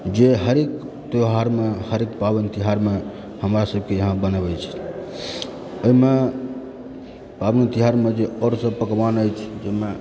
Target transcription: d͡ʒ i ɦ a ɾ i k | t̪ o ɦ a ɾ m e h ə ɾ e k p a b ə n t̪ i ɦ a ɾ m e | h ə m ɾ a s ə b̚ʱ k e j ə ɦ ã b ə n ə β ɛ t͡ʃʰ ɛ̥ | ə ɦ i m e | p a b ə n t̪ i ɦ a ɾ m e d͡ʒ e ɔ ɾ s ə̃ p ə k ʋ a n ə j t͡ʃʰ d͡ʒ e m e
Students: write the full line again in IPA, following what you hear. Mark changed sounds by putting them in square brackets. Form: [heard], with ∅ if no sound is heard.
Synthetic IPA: d͡ʒ [e] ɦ [ə] ɾ [e] k | t̪ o ɦ a ɾ m e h ə ɾ e k p a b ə n t̪ i ɦ a ɾ m e | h ə m ɾ a s ə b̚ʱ k e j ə ɦ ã b ə n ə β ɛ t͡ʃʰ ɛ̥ | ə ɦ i m e | p a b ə n t̪ i ɦ a ɾ m e d͡ʒ e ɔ ɾ s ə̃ p ə k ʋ a n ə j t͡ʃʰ d͡ʒ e m e